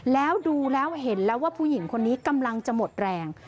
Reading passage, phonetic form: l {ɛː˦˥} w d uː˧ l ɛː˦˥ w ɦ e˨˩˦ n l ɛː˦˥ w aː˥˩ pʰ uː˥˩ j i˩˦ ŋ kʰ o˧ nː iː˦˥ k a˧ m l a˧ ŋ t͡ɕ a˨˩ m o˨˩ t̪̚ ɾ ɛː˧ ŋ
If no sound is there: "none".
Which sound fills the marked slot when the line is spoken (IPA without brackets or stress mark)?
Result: ɛː˦˥